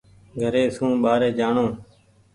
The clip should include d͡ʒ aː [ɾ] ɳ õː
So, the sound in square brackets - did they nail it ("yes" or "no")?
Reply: no